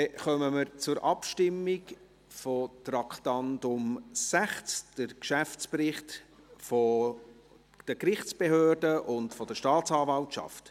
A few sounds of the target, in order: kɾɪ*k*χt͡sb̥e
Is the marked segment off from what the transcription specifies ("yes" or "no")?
yes